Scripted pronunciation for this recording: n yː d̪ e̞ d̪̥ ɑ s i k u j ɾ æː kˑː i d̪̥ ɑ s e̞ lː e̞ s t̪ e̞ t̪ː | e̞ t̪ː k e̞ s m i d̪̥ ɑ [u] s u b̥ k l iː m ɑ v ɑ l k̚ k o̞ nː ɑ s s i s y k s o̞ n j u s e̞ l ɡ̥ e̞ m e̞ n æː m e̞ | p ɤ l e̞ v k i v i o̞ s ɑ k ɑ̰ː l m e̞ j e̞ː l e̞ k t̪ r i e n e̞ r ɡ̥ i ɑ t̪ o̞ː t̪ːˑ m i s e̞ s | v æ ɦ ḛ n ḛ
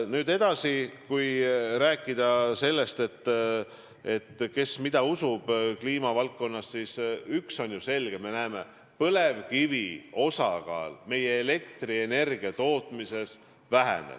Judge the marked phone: correct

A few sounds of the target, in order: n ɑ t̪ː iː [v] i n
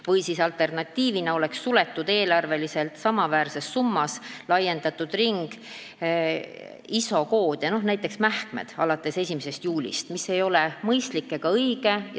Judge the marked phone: correct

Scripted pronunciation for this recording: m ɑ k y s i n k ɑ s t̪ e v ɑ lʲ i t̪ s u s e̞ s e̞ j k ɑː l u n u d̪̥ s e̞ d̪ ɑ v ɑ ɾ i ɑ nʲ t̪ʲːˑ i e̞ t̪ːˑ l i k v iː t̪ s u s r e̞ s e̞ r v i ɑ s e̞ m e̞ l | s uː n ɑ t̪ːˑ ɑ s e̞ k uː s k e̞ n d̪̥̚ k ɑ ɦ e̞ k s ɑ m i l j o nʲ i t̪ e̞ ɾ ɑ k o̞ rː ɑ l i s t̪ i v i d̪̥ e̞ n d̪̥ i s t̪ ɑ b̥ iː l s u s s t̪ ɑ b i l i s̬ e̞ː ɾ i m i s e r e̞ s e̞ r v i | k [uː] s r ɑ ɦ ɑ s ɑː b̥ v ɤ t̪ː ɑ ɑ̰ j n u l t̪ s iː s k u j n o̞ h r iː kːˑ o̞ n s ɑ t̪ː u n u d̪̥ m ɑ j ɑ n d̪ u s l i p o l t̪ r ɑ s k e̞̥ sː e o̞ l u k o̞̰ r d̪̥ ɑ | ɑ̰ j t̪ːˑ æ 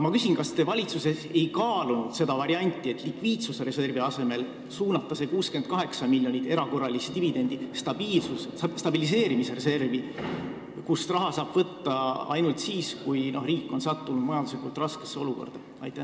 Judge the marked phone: incorrect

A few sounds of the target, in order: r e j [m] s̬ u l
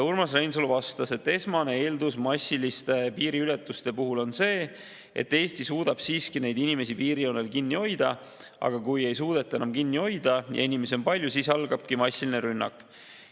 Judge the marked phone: incorrect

